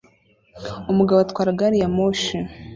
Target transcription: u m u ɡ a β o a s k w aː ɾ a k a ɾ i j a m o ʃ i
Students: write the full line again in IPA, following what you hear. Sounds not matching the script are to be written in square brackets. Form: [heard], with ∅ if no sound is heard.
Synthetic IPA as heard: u m u ɡ a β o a [t] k w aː ɾ a [ɡ] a ɾ i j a m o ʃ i